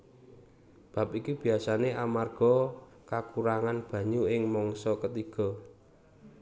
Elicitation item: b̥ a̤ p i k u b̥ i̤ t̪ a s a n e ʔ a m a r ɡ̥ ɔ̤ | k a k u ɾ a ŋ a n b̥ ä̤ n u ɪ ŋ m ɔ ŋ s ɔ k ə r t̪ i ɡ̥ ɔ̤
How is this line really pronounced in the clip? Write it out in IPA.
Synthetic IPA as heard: b̥ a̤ p i k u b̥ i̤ a s a n e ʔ a m a r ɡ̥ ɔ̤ | k a k u ɾ a ŋ a n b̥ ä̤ ɲ u ɪ ŋ m ɔ ŋ s ɔ k ə t̪ i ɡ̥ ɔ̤